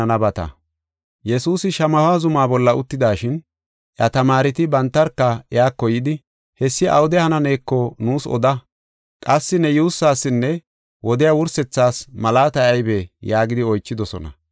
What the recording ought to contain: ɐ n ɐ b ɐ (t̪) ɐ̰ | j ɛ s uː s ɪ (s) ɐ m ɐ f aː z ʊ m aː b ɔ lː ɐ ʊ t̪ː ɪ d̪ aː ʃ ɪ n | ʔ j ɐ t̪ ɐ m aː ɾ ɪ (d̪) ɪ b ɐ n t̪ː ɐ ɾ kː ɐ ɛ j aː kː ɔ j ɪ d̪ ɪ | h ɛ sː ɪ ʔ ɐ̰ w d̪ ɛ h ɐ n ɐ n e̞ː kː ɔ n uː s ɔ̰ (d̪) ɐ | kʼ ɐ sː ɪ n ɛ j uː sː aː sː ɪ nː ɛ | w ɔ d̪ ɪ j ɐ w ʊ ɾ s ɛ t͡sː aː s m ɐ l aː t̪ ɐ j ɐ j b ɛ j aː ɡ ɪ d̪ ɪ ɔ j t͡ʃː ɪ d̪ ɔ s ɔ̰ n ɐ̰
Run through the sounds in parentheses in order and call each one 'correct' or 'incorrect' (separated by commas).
correct, incorrect, incorrect, correct